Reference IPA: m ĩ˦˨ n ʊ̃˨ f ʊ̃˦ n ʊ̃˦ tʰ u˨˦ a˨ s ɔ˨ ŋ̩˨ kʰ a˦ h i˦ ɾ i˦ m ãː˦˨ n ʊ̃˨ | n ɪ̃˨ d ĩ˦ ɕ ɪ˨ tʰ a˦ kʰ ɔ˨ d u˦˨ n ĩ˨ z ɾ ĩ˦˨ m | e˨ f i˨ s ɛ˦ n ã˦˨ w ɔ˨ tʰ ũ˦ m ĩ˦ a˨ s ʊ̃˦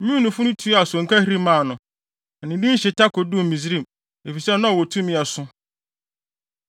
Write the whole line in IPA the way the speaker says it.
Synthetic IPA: m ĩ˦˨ n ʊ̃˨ f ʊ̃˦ n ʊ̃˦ tʰ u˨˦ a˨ s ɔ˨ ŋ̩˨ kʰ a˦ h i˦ ɾ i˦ m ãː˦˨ n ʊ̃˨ | n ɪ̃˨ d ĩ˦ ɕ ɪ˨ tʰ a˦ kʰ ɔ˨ d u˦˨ m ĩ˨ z ɾ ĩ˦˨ m | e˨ f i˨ s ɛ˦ n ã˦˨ w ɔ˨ tʰ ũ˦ m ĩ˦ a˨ s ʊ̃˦